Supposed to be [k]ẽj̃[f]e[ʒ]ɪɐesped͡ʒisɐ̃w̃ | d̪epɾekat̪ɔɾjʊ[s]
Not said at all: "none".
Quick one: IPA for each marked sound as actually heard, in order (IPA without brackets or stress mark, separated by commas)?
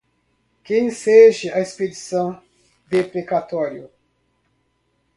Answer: k, s, ʒ, none